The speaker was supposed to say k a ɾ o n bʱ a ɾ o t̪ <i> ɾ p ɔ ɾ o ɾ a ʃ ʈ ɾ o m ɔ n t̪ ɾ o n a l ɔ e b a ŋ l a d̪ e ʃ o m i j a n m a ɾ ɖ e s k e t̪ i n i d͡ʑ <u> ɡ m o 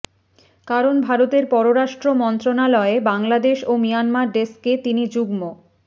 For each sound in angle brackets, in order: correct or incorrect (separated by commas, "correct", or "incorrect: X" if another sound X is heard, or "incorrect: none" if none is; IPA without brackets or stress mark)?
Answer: incorrect: e, correct